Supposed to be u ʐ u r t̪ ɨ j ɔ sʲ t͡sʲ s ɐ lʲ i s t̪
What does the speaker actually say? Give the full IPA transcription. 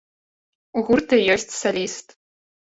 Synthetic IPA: u ɣ u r t̪ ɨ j ɔ sʲ t͡sʲ s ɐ lʲ i s t̪